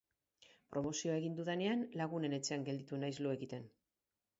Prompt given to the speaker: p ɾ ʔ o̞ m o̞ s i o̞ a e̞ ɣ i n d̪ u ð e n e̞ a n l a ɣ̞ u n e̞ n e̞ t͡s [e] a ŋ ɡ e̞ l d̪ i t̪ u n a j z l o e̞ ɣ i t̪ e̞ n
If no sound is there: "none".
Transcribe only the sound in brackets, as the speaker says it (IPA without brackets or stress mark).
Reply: e